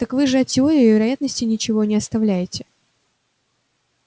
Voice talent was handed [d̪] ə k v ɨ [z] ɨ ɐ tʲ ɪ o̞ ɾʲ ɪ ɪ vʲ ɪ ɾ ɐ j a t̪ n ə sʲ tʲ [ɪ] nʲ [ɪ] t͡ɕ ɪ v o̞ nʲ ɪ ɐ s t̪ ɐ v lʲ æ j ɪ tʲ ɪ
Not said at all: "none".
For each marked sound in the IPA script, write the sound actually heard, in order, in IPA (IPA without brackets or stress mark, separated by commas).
t̪, ʐ, ɪ, ɪ